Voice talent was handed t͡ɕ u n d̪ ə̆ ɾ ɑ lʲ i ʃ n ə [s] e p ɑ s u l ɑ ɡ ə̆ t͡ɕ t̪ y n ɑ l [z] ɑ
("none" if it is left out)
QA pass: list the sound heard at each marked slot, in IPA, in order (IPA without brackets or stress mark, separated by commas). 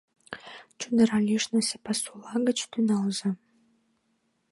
s, z